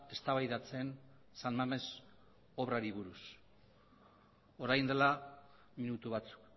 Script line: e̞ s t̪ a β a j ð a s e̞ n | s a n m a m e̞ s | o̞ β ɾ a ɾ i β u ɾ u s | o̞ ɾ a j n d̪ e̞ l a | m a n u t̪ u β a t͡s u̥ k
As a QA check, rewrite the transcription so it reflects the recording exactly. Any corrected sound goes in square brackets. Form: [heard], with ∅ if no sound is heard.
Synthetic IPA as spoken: e̞ s t̪ a β a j ð a [t͡s] e̞ n | s a n m a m e̞ s | o̞ β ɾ a ɾ i β u ɾ u s | o̞ ɾ a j n d̪ e̞ l a | m [i] n u t̪ u β a t͡s u̥ k